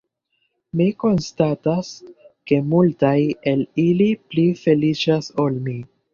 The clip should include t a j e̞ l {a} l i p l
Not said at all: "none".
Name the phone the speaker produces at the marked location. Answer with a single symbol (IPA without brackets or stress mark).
i